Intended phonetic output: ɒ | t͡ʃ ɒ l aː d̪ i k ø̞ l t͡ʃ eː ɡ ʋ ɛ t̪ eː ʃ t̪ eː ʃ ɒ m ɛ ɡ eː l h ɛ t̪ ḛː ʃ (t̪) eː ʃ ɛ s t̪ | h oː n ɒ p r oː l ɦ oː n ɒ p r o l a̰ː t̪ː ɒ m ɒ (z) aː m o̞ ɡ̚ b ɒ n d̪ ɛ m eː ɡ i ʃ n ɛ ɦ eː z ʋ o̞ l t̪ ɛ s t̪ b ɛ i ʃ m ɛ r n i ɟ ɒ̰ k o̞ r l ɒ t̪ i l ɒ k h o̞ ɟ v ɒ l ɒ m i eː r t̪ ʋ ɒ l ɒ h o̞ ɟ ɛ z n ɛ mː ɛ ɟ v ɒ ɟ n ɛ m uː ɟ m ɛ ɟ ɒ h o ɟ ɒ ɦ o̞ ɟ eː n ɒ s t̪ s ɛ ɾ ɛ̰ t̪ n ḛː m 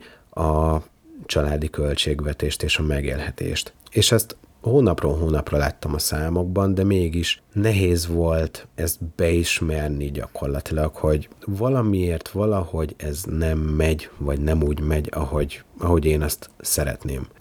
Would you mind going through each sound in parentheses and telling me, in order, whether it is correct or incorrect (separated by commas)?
correct, incorrect